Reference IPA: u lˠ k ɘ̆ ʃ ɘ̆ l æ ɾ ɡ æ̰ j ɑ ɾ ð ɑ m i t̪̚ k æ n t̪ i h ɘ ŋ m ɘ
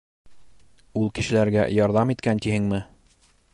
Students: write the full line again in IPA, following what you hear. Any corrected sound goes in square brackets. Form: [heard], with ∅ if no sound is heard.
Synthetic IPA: u lˠ k ɘ̆ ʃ ɘ̆ l æ ɾ ɡ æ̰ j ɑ ɾ ð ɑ m i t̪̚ k æ n t̪ i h ɘ ŋ m ɘ